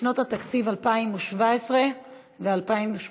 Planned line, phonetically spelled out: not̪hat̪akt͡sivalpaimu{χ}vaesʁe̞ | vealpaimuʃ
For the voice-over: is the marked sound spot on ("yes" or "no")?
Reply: no